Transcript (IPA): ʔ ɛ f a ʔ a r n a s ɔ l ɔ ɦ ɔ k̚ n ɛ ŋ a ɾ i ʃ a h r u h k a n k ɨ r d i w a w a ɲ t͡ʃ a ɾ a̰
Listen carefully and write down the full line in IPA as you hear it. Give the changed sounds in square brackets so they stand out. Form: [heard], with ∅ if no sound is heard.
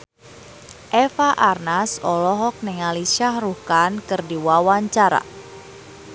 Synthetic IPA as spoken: ʔ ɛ f a ʔ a r n a s ɔ l ɔ ɦ ɔ k̚ n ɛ ŋ a [l] i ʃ a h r u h k a n k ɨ r d i w a w a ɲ t͡ʃ a ɾ a̰